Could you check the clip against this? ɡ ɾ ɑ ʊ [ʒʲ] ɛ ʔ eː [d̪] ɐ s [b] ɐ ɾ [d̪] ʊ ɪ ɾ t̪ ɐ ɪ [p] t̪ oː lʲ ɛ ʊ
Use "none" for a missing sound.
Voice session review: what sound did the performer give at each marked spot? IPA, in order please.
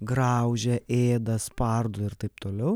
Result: ʒʲ, d̪, p, d̪, p

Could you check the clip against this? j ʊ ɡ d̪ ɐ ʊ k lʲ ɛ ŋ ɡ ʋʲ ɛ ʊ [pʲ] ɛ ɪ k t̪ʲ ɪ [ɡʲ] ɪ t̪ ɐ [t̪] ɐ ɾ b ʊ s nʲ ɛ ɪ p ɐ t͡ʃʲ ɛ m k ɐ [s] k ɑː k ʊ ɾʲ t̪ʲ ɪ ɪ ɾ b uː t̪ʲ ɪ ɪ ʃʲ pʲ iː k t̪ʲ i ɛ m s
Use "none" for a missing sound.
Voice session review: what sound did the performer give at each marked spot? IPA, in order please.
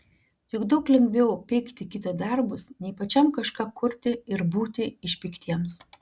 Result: pʲ, kʲ, d̪, ʃ

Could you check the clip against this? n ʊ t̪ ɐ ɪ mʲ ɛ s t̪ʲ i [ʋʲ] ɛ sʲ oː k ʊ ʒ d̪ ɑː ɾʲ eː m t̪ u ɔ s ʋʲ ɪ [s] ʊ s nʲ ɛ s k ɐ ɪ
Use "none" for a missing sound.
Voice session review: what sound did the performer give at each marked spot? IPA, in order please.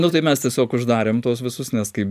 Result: none, s

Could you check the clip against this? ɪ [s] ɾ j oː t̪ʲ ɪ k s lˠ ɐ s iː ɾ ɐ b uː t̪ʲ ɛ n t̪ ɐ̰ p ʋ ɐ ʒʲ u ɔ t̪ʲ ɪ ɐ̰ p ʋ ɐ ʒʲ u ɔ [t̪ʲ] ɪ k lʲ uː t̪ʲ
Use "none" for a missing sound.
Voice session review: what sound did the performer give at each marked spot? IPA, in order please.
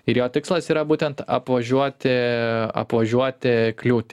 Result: none, t̪ʲ

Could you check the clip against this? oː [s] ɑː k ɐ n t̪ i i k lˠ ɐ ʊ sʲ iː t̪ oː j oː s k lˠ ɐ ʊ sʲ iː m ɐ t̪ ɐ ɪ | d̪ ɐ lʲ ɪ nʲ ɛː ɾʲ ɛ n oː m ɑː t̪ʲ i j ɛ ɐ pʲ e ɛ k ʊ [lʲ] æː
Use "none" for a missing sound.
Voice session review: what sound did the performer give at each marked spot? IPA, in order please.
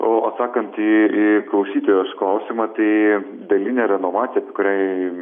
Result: s, ɾʲ

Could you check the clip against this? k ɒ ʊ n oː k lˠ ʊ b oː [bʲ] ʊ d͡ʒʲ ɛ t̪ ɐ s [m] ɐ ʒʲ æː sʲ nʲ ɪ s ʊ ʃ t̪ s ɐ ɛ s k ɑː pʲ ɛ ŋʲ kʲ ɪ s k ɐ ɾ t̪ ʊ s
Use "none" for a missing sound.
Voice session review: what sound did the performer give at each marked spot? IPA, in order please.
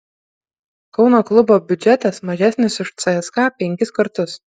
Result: bʲ, m

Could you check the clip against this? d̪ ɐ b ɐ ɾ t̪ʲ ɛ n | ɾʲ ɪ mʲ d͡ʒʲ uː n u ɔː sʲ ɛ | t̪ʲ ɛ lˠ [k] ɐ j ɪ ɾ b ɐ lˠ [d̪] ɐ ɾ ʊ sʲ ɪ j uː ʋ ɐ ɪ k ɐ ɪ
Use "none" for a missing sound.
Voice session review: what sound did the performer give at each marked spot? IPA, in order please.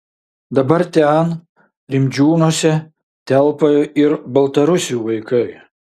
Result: p, t̪

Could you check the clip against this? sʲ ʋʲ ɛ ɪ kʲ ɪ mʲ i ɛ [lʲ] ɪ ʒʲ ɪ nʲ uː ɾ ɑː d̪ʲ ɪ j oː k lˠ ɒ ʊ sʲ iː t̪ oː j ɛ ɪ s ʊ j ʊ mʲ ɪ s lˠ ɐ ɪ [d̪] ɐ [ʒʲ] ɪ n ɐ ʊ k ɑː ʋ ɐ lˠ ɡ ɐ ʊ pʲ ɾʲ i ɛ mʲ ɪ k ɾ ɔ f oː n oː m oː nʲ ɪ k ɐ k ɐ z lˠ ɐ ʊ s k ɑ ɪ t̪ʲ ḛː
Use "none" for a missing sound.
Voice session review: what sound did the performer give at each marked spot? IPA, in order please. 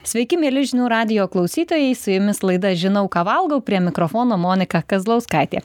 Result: lʲ, d̪, ʒʲ

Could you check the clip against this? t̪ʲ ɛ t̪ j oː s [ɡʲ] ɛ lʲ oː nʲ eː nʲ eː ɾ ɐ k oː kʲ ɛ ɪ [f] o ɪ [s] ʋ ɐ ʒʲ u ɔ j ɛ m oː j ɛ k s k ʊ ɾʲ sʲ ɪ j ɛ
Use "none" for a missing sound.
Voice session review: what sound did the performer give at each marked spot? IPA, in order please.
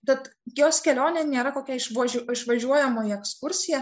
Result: kʲ, ʃ, ʃ

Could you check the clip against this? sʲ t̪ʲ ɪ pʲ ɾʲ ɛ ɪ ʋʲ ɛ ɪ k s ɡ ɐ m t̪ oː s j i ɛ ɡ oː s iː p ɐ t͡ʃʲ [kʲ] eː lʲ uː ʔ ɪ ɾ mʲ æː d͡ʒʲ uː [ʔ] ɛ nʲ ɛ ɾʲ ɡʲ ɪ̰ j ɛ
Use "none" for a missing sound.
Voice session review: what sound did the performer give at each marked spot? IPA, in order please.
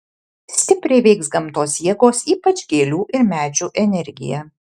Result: ɡʲ, ʔ

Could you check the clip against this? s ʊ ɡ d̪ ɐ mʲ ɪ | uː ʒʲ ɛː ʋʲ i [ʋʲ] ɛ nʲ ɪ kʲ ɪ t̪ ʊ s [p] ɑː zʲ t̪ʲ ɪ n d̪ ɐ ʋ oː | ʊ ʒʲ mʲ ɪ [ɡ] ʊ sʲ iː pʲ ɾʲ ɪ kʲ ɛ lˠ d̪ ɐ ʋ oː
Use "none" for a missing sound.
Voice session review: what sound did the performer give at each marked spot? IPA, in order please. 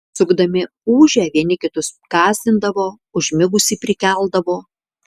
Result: none, k, ɡ

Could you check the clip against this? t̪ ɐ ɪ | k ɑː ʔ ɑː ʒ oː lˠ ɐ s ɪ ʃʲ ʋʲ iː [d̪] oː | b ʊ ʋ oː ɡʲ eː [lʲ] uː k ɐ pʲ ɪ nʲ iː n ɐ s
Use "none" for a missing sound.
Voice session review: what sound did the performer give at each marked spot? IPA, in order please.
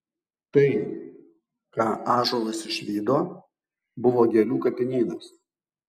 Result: d̪, lʲ

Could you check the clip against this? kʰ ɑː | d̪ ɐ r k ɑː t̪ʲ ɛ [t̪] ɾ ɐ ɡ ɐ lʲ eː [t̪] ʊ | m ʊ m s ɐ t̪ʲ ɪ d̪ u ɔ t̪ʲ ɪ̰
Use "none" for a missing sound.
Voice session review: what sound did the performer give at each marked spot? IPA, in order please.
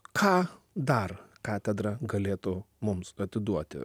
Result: d̪, t̪

